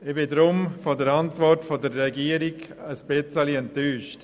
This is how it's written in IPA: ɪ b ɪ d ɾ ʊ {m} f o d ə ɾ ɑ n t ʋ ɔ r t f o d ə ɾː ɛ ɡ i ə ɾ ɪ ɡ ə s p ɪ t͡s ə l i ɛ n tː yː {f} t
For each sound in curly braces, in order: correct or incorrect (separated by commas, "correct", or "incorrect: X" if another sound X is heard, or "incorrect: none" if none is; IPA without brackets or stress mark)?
correct, incorrect: ʃ